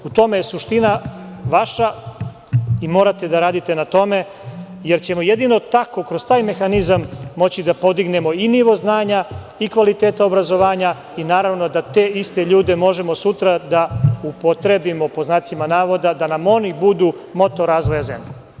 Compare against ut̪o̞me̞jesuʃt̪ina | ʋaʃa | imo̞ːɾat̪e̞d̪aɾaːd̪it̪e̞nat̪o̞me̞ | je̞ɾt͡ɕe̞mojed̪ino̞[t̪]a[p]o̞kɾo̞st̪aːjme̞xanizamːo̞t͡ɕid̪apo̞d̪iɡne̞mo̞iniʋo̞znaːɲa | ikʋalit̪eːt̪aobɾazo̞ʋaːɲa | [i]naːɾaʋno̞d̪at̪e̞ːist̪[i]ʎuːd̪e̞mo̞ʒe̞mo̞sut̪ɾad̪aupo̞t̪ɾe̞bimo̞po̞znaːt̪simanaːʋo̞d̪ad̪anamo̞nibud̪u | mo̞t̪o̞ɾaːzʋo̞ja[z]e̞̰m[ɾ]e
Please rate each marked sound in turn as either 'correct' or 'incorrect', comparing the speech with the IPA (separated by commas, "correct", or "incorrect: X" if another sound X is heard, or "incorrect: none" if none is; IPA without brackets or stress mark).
correct, incorrect: k, correct, incorrect: e, correct, incorrect: ʎ